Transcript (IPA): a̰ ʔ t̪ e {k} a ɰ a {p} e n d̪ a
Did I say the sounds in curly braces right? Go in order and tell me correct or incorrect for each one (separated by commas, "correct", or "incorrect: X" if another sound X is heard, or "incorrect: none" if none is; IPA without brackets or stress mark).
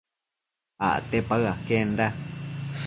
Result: incorrect: p, incorrect: k